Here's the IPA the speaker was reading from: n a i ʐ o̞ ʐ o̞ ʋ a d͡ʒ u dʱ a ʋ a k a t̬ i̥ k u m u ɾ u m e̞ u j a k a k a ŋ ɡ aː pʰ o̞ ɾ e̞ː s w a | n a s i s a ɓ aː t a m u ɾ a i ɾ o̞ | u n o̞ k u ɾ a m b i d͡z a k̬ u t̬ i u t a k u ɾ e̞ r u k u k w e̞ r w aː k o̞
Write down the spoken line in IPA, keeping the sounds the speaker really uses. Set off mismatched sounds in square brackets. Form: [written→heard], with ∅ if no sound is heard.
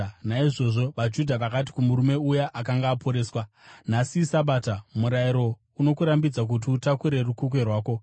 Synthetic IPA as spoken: n a i ʐ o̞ ʐ o̞ ʋ a d͡ʒ u dʱ a ʋ a k a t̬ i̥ k u m u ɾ u m e̞ u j a [k→ʔ] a k a ŋ ɡ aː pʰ o̞ ɾ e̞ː s w a | n a s i s a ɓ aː t a m u ɾ a i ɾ o̞ | u n o̞ k u ɾ a m b i d͡z a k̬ u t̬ i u t a k u ɾ e̞ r u k u k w e̞ r w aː k o̞